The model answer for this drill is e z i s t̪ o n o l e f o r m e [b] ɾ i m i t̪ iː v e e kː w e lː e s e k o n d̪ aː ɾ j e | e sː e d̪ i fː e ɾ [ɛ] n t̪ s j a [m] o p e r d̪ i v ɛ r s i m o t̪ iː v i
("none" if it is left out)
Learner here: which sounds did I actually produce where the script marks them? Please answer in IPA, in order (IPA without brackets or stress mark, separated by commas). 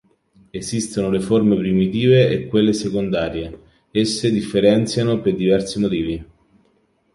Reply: p, ɛ, n